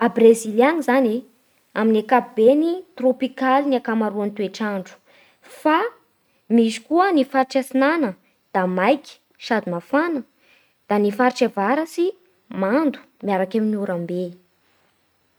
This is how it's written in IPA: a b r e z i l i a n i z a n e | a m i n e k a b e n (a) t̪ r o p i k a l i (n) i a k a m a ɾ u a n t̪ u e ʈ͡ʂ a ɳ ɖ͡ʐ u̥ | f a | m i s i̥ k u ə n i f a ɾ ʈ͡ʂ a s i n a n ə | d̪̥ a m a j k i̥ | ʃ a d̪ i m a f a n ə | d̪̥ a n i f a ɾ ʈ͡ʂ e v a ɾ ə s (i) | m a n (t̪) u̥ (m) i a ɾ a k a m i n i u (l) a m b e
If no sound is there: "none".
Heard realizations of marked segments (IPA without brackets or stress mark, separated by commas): i, n, i, d̪, m, ɾ